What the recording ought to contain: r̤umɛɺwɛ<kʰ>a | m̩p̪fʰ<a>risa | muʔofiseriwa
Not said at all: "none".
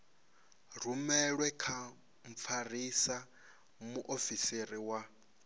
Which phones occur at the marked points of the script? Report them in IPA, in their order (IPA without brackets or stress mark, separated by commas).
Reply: kʰ, a